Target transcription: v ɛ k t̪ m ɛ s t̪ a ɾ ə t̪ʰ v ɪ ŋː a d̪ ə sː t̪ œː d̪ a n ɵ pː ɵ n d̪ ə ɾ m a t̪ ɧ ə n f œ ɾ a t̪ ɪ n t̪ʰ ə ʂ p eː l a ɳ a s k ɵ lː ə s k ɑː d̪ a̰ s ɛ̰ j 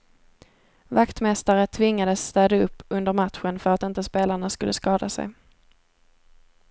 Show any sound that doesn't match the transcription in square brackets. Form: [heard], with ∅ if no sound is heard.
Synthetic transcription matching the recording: v [a] k t̪ m ɛ s t̪ a ɾ ə t̪ʰ v ɪ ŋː a d̪ ə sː t̪ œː d̪ a [∅] ɵ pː ɵ n d̪ ə ɾ m a t̪ ɧ ə n f œ ɾ a t̪ ɪ n [t̪] ə [s] p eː l a ɳ a s k ɵ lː ə s k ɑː d̪ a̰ s ɛ̰ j